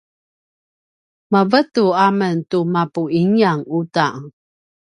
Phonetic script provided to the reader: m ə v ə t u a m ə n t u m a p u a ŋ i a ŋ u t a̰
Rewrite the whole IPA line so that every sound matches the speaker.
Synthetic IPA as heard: m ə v ə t u a m ə n t u m a p u i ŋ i a ŋ u t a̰